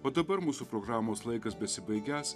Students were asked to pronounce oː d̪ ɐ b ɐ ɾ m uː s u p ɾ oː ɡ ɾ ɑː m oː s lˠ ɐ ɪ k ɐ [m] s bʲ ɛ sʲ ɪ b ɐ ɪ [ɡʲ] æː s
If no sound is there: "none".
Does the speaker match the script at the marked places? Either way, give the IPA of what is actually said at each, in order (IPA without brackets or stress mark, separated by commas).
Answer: none, ɡʲ